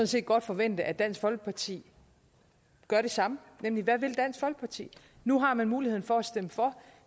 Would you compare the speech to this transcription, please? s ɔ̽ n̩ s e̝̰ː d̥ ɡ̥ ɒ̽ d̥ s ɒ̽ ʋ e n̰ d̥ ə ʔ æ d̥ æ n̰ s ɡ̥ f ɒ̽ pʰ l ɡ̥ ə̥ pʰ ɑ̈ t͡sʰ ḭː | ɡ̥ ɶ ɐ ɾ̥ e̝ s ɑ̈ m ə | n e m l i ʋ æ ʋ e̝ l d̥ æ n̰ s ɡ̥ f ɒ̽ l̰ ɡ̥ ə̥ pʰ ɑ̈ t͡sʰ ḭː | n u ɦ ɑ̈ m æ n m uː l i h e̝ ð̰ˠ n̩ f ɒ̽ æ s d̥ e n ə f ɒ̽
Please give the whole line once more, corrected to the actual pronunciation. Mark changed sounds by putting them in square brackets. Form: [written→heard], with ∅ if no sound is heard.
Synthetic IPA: s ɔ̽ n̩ s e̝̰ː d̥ ɡ̥ ɒ̽ d̥ [s→f] ɒ̽ ʋ e n̰ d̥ ə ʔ æ d̥ æ n̰ s ɡ̥ f ɒ̽ [pʰ→∅] l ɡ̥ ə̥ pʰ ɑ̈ t͡sʰ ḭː | ɡ̥ ɶ ɐ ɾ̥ e̝ s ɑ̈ m ə | n e m l i ʋ æ ʋ e̝ l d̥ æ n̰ s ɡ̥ f ɒ̽ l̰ ɡ̥ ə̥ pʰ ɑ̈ t͡sʰ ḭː | n u ɦ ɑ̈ m æ n m uː l i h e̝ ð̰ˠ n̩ f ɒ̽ æ s d̥ e [n→m] ə f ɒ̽